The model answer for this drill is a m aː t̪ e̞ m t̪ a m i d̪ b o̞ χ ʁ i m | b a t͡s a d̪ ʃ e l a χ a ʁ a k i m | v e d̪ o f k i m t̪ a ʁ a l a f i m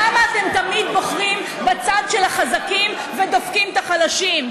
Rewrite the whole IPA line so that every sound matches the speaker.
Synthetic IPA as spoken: a m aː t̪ e̞ m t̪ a m i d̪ b o̞ χ ʁ i m | b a t͡s a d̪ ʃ e l a χ a z a k i m | v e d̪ o f k i m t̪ a χ a l a ʃ i m